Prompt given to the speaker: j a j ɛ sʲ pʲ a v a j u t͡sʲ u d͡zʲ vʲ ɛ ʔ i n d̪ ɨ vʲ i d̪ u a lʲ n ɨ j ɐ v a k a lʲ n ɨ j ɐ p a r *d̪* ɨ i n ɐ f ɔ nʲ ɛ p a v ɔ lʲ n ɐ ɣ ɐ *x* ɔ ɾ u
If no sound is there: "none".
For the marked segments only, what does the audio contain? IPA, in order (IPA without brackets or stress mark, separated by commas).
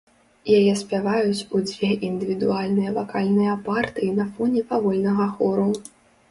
t̪, x